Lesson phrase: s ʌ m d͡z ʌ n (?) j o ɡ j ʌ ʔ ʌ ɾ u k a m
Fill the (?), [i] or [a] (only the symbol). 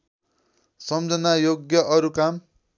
a